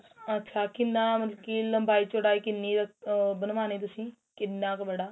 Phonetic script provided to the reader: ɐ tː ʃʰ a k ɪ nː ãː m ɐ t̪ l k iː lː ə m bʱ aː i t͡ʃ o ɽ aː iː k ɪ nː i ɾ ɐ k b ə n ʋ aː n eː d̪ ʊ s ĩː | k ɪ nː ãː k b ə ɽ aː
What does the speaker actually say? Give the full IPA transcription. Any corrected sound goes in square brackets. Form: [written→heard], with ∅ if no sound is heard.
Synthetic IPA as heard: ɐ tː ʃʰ a k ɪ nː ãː m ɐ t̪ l k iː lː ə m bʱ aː i t͡ʃ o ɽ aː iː k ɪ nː i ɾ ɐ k b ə n ʋ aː n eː [d̪→t̪] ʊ s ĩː | k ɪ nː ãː k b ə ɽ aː